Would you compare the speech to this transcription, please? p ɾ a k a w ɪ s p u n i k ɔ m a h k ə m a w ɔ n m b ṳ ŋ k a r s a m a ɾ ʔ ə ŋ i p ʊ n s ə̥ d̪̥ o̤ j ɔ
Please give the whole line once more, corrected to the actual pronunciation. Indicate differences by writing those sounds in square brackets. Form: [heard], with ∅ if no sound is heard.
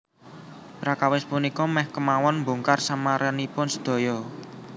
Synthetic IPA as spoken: p ɾ a k a w ɪ s p u n i k ɔ m [ɛ] h k ə m a w ɔ n m b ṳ ŋ k a r s a m a ɾ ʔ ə [n] i p ʊ n s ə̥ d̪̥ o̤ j ɔ